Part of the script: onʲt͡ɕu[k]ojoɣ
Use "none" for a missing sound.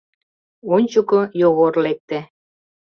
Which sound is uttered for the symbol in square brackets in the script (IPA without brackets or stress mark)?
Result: k